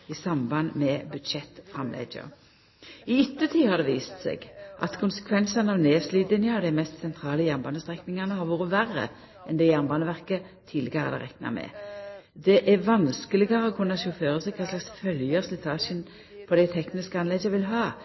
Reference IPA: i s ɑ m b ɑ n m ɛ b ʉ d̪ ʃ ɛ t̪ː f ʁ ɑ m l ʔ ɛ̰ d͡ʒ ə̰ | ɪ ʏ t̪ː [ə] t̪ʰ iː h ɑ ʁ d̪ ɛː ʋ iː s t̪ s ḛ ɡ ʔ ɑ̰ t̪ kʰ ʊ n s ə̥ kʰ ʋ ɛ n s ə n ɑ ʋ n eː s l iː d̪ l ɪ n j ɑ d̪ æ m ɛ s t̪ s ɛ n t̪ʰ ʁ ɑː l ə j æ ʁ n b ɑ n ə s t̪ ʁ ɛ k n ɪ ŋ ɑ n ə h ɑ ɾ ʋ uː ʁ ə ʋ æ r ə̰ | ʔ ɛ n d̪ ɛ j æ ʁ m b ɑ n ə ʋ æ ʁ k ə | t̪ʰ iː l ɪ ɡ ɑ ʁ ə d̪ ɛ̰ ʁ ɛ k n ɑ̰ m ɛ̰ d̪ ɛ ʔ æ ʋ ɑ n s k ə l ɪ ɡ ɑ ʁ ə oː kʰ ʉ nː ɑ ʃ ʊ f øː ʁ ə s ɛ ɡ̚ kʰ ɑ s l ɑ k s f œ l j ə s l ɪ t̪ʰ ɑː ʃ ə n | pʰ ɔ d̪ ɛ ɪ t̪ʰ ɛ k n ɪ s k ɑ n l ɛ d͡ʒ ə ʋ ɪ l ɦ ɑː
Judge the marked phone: correct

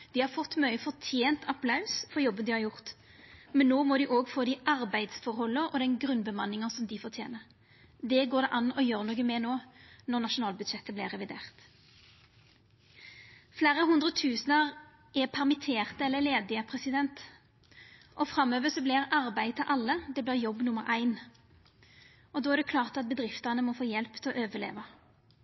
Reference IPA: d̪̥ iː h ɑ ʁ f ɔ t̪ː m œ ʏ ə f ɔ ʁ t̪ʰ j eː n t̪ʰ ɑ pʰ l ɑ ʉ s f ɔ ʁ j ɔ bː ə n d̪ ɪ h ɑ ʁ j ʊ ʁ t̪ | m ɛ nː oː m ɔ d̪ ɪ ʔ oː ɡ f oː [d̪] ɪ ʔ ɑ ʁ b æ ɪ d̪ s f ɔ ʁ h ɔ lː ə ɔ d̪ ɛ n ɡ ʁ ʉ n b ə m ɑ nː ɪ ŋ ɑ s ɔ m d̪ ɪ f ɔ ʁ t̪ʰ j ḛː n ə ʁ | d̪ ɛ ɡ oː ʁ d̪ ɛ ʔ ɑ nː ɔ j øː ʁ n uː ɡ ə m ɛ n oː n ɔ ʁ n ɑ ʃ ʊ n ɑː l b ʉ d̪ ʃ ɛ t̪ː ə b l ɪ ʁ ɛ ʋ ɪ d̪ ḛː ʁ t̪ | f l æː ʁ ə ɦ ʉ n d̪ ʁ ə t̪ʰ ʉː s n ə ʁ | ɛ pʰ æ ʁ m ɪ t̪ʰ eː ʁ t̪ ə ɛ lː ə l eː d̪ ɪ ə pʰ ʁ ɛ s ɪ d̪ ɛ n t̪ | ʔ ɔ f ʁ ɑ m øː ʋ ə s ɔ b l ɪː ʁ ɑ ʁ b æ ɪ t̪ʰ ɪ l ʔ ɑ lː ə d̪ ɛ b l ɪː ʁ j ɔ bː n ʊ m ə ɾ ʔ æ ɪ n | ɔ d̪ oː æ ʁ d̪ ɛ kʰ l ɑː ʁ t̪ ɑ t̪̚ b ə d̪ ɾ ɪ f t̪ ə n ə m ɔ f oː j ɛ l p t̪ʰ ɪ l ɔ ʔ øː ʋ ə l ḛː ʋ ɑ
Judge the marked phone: correct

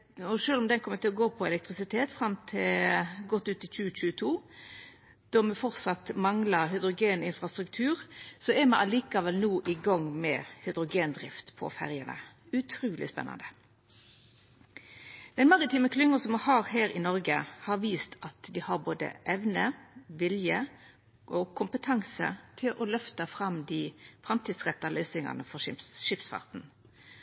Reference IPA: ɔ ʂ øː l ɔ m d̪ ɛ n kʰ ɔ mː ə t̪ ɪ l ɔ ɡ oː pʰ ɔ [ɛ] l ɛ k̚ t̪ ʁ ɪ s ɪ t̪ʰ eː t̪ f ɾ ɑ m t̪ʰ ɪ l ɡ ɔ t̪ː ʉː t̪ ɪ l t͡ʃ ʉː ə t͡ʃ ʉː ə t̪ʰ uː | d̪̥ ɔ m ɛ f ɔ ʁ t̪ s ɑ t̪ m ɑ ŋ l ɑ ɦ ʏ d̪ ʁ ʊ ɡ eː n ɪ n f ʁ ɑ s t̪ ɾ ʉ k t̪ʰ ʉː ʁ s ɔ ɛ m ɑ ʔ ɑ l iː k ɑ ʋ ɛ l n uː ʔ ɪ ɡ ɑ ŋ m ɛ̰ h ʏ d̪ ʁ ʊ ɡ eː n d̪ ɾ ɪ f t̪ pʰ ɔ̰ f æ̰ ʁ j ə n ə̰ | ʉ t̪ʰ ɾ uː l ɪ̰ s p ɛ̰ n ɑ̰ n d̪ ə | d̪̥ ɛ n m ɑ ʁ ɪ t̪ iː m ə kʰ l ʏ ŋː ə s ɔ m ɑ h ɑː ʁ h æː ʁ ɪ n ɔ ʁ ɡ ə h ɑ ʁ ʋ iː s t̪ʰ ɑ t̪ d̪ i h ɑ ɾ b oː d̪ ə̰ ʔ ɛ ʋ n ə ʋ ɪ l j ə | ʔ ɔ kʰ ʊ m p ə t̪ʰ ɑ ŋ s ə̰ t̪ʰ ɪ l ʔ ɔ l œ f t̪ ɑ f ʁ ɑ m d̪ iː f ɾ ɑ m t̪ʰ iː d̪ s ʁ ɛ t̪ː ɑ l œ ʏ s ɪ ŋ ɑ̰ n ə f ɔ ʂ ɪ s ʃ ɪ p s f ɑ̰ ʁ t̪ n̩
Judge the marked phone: correct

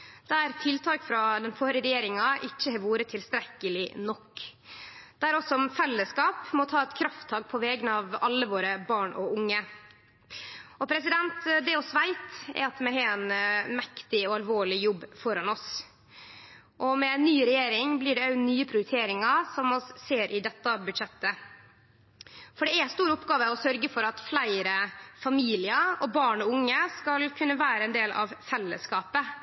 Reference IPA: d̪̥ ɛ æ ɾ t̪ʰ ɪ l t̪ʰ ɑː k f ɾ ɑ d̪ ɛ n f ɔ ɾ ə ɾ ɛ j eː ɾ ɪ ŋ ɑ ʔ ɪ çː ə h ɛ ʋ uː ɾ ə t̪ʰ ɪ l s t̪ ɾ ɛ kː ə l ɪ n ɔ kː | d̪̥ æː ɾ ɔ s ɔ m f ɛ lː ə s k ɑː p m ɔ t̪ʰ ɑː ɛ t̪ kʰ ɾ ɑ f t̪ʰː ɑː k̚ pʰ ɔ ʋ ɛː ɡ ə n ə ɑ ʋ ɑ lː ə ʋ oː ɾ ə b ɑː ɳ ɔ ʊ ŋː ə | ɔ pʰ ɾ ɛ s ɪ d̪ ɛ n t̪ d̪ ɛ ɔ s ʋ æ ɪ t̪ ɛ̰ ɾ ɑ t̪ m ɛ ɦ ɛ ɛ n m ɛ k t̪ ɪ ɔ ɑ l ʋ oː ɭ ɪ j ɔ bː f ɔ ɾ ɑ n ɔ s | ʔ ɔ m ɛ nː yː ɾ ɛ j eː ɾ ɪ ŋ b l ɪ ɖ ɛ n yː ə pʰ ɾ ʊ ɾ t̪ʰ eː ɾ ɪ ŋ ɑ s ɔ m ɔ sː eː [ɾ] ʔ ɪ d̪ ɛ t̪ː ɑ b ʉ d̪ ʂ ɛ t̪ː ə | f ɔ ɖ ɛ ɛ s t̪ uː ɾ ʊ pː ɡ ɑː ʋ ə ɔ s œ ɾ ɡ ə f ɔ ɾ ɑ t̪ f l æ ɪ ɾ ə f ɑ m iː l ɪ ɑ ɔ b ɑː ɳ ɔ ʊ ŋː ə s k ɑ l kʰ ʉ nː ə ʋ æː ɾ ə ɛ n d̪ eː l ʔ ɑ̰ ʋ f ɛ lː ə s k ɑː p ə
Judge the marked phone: correct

